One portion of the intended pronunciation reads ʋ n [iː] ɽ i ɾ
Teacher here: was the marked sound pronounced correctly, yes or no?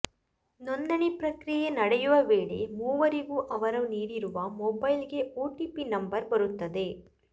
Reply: yes